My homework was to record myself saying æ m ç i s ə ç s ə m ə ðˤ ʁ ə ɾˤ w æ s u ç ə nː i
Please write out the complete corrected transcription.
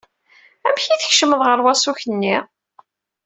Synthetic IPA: æ m ç i θ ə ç ʃ ə m ə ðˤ ʁ ə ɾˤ w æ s u ç ə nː i